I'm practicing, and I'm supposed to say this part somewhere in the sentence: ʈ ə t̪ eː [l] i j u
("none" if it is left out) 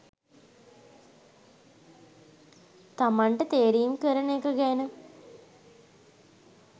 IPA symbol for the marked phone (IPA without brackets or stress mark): ɾ